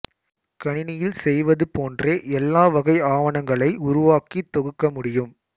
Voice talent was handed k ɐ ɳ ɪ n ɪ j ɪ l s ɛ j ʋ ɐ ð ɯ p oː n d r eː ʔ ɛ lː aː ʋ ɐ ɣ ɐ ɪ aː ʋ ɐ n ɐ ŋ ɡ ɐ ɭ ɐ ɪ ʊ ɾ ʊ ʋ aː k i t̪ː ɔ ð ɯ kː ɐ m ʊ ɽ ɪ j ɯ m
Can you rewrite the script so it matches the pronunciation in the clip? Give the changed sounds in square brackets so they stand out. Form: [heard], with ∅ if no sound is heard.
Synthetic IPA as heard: k ɐ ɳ ɪ n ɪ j ɪ l s ɛ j ʋ ɐ ð ɯ p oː n d r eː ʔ ɛ lː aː ʋ ɐ ɣ ɐ ɪ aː ʋ ɐ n ɐ ŋ ɡ ɐ ɭ ɐ ɪ ʊ ɾ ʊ ʋ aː k i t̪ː ɔ [ɣ] ɯ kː ɐ m ʊ ɽ ɪ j ɯ m